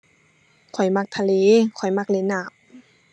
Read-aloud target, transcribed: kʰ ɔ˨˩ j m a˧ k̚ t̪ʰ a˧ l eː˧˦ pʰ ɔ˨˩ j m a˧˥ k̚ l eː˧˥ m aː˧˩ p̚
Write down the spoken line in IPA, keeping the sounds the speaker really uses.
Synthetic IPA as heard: kʰ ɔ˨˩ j m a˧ k̚ t̪ʰ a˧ l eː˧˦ kʰ ɔ˨˩ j m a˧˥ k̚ l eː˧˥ n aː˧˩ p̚

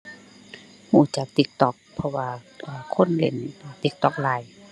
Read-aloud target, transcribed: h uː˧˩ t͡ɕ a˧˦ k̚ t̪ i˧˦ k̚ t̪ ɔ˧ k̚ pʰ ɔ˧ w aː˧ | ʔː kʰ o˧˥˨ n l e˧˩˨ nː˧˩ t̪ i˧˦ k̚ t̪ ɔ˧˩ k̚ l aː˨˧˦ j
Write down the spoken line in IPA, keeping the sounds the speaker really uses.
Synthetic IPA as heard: h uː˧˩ t͡ɕ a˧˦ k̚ t̪ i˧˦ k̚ t̪ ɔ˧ k̚ pʰ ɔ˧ w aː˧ | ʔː kʰ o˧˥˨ n l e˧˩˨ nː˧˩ t̪ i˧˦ k̚ t̪ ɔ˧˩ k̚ l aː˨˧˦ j

